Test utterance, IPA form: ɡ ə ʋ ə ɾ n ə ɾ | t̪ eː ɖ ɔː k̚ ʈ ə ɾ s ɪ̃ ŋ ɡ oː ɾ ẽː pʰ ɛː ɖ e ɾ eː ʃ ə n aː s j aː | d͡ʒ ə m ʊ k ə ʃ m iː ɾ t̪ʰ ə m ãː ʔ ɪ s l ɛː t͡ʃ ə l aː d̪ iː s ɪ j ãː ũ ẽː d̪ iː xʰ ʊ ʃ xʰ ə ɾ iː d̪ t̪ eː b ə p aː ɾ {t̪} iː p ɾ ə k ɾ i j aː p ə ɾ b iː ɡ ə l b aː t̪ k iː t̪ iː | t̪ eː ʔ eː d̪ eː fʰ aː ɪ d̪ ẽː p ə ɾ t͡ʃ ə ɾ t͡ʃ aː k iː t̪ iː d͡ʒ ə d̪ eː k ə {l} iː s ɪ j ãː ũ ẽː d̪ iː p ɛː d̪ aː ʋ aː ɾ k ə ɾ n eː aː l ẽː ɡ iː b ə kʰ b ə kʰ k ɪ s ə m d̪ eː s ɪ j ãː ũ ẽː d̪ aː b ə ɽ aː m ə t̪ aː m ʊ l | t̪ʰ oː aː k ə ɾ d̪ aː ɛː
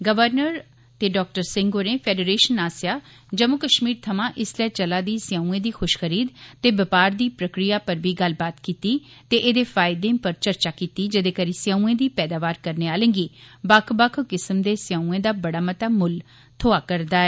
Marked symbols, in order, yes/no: no, no

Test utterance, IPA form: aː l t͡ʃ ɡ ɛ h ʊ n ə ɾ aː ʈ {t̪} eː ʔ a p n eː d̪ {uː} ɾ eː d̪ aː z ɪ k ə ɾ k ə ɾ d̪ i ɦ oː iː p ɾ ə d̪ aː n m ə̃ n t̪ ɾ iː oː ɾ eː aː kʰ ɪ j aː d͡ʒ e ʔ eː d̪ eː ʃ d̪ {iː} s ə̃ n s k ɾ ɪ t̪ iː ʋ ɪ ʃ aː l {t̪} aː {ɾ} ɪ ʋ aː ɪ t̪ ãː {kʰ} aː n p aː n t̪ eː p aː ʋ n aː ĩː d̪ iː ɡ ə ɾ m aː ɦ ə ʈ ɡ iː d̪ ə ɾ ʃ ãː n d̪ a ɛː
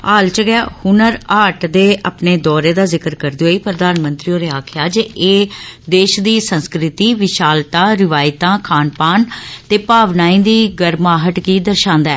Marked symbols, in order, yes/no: no, no, yes, yes, yes, yes

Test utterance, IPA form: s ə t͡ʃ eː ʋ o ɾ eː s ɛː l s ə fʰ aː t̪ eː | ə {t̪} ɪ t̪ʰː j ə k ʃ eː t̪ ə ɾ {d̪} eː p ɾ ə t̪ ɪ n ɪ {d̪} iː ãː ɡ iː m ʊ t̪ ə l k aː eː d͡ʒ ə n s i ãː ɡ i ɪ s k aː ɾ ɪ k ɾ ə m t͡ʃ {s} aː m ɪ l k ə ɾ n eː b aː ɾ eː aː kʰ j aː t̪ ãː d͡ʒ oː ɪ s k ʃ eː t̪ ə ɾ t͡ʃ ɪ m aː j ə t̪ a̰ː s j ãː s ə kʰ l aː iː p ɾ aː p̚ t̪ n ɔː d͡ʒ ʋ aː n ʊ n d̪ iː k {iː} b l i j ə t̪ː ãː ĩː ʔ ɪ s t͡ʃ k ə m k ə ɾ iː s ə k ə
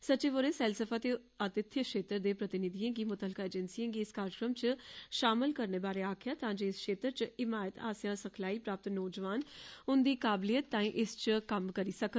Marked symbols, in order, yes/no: yes, yes, yes, no, no

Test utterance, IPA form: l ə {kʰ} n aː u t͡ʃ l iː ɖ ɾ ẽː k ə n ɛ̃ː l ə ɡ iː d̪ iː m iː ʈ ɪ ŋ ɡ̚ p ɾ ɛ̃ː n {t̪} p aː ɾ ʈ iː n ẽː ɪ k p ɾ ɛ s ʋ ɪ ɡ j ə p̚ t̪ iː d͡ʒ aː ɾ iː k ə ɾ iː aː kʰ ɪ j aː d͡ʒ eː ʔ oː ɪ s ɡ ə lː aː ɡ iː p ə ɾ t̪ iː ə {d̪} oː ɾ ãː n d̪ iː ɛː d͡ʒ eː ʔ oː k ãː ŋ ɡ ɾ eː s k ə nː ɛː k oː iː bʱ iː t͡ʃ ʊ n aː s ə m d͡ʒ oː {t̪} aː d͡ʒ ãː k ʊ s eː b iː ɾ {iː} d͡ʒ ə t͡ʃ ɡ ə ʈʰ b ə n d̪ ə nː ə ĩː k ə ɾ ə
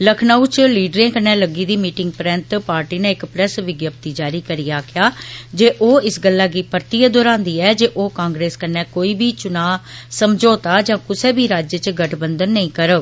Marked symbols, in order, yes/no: yes, yes, yes, yes, no

